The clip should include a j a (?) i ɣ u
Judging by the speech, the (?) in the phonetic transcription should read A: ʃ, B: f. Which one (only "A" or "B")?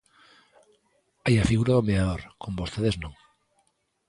B